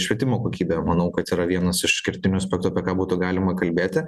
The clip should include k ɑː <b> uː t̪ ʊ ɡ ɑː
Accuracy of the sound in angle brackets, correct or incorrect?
correct